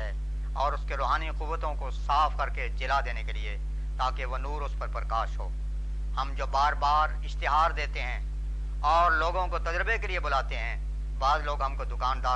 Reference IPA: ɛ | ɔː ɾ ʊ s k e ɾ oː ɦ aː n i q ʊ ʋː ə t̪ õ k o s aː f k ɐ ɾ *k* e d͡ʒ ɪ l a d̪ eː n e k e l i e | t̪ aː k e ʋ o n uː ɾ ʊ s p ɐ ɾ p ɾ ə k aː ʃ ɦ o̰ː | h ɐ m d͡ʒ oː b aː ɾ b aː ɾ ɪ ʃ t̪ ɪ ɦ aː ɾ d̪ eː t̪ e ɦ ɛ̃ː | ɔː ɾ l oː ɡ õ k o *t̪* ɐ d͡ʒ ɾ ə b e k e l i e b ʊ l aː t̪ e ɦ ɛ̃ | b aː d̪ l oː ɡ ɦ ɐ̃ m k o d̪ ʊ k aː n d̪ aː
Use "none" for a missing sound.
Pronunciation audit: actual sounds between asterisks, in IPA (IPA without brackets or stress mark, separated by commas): k, t̪